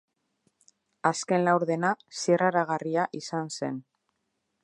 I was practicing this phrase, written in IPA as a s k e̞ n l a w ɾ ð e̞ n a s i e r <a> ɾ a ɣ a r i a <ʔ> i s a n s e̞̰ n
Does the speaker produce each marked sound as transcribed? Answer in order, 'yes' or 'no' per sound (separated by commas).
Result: yes, yes